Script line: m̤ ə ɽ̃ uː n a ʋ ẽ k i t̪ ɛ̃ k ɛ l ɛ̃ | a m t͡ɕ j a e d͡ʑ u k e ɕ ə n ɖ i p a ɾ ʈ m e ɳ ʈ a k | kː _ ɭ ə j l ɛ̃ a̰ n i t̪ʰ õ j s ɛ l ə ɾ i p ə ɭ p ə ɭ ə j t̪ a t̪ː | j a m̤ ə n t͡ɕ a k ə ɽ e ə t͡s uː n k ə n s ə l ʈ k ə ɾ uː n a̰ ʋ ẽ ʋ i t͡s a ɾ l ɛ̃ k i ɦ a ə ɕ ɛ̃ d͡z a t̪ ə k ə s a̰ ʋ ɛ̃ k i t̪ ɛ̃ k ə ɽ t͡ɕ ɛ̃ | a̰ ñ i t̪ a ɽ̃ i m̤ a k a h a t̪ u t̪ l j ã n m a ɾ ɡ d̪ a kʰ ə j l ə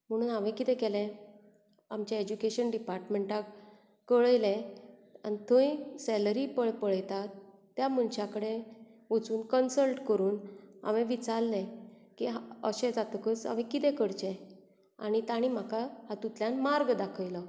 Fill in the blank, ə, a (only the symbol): ə